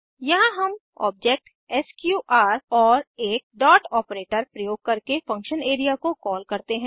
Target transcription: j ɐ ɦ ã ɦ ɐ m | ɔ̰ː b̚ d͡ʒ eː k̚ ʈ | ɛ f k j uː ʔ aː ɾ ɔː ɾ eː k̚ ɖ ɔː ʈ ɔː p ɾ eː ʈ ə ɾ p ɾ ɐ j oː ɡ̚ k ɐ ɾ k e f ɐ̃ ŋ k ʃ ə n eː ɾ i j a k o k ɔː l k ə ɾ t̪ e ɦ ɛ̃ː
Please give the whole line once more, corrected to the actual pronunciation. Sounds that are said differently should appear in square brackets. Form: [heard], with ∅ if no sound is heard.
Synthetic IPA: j ɐ ɦ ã ɦ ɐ m | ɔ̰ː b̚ d͡ʒ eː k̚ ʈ | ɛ [s] k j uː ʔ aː ɾ ɔː ɾ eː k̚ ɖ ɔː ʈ ɔː p ɾ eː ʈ ə ɾ p ɾ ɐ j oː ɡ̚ k ɐ ɾ k e f ɐ̃ ŋ k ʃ ə n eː ɾ i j a k o k ɔː l k [ɐ] ɾ t̪ e ɦ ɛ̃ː